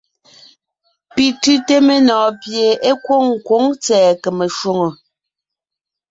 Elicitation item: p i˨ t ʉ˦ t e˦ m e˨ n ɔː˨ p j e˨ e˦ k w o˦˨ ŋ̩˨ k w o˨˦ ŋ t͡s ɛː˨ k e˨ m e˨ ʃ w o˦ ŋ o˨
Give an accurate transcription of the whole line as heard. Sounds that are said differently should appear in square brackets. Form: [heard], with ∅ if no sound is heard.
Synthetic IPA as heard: p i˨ t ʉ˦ t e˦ m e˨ n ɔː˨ p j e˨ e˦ k w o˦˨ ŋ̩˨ k w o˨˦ ŋ t͡s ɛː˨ k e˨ m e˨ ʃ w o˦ ŋ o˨